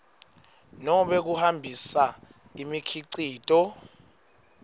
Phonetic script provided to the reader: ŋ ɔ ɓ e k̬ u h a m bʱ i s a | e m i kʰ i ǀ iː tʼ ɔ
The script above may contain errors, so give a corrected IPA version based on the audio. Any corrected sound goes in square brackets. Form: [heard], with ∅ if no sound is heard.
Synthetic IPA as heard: [n] ɔ ɓ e k̬ u h a m bʱ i s a | [i] m i kʰ i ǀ iː tʼ ɔ